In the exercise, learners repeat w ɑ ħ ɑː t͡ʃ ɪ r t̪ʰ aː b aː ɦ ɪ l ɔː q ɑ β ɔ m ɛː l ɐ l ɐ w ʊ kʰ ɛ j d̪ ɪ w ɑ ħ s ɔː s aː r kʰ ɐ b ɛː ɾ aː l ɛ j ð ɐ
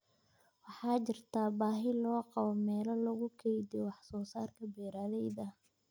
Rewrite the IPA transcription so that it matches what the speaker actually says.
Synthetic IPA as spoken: w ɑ ħ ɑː t͡ʃ ɪ r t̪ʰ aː b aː ɦ ɪ l ɔː q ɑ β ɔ m ɛː l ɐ l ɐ ɣ ʊ kʰ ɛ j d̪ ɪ w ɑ ħ s ɔː s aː r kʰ ɐ b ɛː ɾ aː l ɛ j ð ɐ